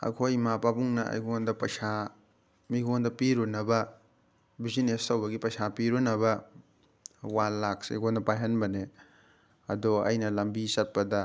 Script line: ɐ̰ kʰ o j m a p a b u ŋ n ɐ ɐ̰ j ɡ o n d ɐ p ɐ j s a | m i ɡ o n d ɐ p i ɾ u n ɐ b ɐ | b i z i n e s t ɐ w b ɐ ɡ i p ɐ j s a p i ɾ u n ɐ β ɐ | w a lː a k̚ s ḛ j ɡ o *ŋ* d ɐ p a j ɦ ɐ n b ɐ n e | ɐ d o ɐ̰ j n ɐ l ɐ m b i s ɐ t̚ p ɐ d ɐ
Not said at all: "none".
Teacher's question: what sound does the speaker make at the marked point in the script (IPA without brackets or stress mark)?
n